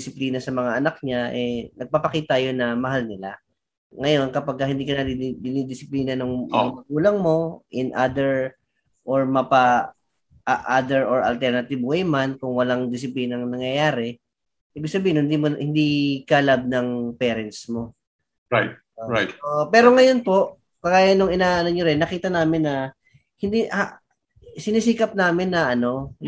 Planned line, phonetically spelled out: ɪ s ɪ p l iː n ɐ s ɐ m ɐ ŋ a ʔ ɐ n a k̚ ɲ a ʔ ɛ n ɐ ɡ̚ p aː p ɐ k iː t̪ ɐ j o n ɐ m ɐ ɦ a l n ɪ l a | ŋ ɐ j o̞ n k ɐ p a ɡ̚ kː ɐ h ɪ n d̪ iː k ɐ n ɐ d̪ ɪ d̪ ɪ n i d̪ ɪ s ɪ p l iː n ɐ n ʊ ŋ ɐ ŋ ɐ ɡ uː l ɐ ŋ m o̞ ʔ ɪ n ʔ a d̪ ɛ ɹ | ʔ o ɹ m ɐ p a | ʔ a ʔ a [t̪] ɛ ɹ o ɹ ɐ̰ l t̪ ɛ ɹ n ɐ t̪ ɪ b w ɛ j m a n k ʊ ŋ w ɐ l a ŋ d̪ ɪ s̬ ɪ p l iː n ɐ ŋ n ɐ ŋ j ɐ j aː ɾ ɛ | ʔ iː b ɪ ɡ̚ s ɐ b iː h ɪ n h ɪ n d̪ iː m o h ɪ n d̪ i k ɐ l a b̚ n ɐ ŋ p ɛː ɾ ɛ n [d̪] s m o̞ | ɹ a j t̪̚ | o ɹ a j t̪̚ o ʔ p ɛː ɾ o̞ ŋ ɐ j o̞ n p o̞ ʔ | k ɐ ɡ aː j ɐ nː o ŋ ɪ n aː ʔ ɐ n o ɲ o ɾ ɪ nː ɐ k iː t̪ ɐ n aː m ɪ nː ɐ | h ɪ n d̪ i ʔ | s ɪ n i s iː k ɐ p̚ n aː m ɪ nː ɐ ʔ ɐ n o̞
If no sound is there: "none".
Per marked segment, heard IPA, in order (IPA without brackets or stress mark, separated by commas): d̪, t̪